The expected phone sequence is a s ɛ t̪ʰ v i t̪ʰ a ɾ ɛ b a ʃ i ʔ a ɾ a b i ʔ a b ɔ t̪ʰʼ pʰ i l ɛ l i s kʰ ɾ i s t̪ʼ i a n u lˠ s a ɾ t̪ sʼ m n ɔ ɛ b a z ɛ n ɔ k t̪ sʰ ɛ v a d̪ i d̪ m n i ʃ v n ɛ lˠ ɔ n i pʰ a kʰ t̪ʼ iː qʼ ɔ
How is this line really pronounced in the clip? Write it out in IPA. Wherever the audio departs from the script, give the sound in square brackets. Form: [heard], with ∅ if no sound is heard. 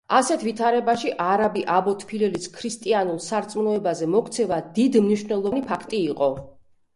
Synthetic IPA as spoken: a s ɛ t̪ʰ v i t̪ʰ a ɾ ɛ b a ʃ i ʔ a ɾ a b i ʔ a b ɔ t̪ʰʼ pʰ i l ɛ l i s kʰ ɾ i s t̪ʼ i a n u lˠ s a ɾ t̪ sʼ m n ɔ ɛ b a z ɛ [m] ɔ k t̪ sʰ ɛ v a d̪ i d̪ m n i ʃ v n ɛ lˠ ɔ n i pʰ a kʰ t̪ʼ iː qʼ ɔ